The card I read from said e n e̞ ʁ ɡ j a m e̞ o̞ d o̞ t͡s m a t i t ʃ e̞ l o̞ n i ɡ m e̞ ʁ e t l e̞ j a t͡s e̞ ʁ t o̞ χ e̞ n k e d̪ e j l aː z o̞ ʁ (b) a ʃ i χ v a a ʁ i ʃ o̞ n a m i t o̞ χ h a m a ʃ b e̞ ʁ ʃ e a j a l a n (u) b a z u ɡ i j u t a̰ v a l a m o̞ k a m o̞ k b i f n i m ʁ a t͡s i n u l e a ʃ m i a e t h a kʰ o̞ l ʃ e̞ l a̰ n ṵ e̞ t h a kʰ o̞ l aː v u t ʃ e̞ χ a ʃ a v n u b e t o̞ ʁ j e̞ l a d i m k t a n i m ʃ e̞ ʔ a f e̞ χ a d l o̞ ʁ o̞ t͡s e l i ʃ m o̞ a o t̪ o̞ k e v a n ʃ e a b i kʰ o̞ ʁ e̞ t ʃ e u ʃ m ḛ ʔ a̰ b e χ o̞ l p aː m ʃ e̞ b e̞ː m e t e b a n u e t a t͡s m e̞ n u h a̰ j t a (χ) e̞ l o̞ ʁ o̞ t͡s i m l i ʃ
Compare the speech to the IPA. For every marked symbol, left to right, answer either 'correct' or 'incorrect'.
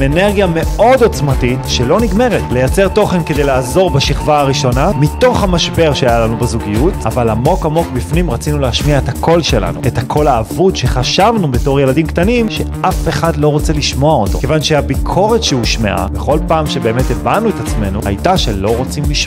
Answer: correct, correct, incorrect

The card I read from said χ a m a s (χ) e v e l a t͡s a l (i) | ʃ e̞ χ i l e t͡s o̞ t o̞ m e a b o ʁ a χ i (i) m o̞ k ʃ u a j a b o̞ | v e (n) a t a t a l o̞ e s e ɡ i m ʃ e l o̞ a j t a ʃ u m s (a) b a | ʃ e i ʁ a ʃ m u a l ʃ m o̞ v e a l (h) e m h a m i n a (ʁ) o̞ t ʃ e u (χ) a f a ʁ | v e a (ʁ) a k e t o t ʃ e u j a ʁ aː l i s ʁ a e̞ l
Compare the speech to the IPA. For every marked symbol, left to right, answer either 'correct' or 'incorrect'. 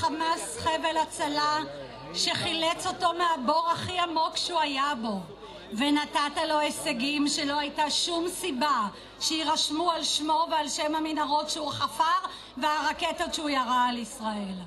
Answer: correct, incorrect, incorrect, correct, incorrect, incorrect, correct, correct, correct

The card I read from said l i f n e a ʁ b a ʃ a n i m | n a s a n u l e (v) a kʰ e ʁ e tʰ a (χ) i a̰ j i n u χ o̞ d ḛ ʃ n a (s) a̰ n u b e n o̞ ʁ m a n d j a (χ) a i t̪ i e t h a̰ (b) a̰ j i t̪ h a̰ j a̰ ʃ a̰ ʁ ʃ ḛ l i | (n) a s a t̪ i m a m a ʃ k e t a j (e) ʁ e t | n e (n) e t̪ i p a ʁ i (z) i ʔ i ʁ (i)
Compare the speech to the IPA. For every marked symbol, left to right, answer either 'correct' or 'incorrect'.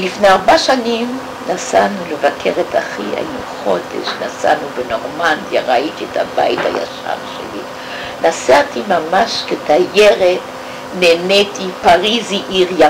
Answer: correct, correct, correct, incorrect, correct, correct, correct, correct, correct, incorrect

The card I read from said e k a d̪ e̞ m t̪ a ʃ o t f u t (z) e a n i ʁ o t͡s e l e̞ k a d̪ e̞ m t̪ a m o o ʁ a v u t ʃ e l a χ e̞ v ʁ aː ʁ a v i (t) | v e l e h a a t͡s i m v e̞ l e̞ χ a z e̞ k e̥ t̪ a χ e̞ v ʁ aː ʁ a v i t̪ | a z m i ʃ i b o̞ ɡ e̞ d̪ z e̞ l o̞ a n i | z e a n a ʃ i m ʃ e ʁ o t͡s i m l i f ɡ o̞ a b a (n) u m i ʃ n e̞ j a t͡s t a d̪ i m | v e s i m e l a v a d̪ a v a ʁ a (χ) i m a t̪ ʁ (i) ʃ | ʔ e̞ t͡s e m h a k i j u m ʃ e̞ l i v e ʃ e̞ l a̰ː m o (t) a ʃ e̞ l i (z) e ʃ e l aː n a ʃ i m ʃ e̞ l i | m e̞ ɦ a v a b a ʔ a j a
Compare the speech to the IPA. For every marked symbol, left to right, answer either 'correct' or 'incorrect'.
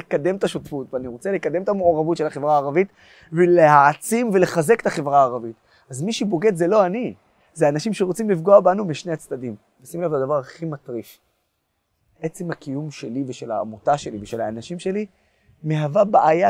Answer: incorrect, correct, correct, correct, correct, correct, incorrect

